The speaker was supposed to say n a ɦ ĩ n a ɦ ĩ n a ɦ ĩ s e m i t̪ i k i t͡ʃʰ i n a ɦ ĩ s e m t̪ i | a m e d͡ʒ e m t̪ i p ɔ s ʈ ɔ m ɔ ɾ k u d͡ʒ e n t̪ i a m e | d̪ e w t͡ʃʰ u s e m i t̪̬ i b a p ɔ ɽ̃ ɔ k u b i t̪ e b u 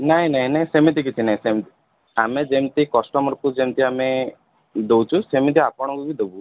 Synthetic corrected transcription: n a ɦ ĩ n a ɦ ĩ n a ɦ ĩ s e m i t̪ i k i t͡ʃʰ i n a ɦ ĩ s e m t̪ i | a m e d͡ʒ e m t̪ i k ɔ s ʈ ɔ m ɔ ɾ k u d͡ʒ e m t̪ i a m e | d̪ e w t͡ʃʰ u s e m i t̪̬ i a p ɔ ɽ̃ ɔ k u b i d̪ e b u